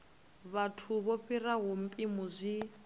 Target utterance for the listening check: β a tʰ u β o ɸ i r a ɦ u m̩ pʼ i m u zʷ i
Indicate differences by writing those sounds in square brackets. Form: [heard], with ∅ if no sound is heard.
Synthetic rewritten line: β a tʰ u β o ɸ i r a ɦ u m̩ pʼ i m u zʷ i